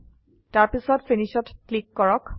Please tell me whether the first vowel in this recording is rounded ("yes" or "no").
no